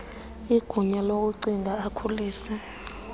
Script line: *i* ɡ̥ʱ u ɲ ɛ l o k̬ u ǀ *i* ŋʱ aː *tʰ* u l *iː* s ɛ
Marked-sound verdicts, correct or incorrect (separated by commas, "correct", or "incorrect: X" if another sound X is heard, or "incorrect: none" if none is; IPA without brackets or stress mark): correct, correct, incorrect: kʰ, correct